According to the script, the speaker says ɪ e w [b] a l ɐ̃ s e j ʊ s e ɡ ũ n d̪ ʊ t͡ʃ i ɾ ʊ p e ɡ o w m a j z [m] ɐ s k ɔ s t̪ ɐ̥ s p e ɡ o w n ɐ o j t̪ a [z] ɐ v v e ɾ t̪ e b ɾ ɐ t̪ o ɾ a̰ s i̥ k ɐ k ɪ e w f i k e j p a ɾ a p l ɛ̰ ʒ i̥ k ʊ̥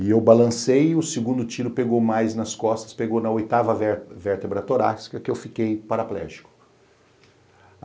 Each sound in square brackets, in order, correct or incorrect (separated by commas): correct, incorrect, incorrect